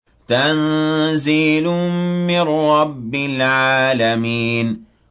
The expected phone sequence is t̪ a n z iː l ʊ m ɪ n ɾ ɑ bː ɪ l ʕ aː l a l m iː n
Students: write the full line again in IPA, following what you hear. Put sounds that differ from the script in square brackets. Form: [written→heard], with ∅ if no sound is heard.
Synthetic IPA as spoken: t̪ a n z iː l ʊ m ɪ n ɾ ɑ bː ɪ l ʕ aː l a [l→∅] m iː n